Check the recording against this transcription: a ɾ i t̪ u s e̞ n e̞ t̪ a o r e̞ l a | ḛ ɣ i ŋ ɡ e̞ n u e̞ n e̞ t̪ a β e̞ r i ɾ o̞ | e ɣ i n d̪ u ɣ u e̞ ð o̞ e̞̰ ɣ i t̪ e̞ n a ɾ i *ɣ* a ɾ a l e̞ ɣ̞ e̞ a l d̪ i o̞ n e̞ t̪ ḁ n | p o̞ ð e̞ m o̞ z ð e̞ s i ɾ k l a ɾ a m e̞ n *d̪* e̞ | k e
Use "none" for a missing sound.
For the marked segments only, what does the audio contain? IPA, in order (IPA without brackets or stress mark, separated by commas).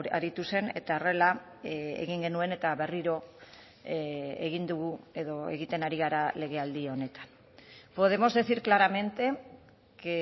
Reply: ɣ, t̪